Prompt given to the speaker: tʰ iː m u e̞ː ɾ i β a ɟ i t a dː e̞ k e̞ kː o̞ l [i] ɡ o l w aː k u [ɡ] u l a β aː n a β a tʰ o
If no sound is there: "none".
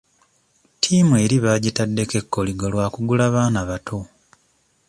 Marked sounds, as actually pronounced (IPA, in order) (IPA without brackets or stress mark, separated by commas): i, ɡ